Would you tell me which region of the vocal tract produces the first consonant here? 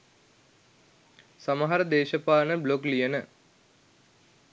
tongue tip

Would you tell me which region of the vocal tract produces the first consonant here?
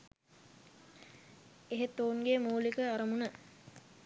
throat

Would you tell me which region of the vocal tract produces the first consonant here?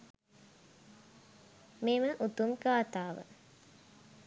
lips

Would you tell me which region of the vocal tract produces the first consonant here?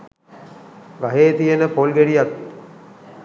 velum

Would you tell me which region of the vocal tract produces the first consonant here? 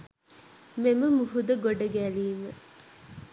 lips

